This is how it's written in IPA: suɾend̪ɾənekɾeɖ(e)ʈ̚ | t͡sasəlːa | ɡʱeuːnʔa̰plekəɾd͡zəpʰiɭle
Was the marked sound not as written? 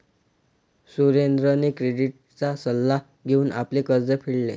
yes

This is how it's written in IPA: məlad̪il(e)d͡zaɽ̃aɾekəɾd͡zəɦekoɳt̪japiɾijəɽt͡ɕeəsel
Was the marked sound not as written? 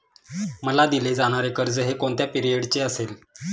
no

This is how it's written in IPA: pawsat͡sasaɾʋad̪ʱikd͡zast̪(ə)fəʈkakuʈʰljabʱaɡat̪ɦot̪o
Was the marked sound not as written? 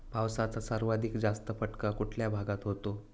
no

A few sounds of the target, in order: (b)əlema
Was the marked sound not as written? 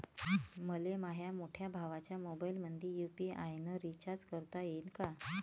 yes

